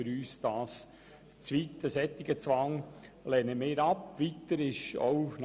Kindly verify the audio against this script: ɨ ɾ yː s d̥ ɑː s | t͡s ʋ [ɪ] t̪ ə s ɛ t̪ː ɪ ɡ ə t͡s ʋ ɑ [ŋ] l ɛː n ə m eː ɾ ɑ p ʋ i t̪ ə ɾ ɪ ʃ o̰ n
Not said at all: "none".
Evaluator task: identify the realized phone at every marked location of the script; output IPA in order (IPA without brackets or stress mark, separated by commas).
i, ŋ